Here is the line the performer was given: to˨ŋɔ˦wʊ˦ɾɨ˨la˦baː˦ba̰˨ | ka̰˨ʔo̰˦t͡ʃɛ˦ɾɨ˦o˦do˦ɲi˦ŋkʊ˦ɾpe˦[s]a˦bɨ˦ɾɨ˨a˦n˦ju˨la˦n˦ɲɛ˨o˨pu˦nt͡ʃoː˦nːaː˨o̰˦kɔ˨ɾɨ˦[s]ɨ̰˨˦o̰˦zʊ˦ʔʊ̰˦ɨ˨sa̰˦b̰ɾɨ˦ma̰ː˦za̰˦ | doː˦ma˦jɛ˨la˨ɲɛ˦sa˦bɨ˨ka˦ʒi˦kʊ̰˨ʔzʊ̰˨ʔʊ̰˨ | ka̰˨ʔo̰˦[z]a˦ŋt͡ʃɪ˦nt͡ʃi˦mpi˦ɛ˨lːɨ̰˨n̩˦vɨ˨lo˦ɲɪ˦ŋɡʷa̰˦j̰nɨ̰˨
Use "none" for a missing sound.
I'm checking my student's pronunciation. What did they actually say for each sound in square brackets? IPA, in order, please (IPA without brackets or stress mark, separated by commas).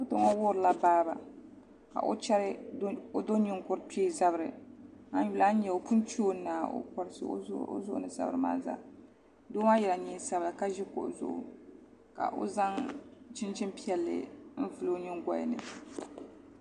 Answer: z, s, z